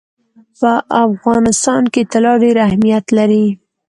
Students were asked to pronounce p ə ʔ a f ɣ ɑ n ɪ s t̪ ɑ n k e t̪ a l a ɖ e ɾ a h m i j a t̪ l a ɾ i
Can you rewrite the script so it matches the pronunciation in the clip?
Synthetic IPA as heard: p ə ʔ a f ɣ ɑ n ɪ s t̪ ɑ n k e t̪ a l ɑ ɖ e ɾ a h m i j a t̪ l a ɾ i